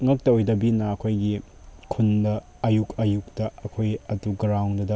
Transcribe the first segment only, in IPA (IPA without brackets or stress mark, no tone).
ŋ